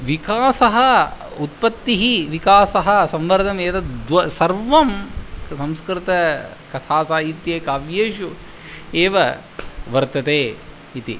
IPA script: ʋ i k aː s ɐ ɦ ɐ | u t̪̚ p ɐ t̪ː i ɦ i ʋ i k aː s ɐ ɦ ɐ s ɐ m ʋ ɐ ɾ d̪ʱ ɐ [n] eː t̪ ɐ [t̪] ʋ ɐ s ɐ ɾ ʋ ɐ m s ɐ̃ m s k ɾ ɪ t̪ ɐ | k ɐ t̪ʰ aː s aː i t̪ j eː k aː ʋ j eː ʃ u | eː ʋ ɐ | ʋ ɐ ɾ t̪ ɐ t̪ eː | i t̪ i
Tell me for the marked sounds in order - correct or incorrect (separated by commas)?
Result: incorrect, incorrect